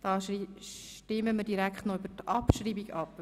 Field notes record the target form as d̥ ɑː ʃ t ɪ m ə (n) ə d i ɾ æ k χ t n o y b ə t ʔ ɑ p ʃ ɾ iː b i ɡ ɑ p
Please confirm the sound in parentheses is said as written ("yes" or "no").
no